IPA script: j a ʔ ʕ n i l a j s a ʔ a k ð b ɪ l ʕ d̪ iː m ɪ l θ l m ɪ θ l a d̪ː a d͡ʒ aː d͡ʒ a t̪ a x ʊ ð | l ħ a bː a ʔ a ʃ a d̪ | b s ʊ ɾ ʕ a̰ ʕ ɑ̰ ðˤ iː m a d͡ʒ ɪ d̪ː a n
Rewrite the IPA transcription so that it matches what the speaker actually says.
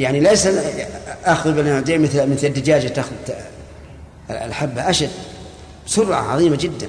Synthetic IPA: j a ʕ n i l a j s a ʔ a x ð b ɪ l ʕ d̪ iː m ɪ θ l m ɪ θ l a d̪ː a d͡ʒ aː d͡ʒ a t̪ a x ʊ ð | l ħ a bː a ʔ a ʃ a d̪ | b s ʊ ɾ ʕ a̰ ʕ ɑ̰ ðˤ iː m a d͡ʒ ɪ d̪ː a n